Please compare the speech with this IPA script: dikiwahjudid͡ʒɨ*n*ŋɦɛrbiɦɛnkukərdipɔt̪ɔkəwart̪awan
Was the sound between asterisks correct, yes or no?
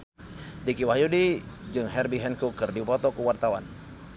no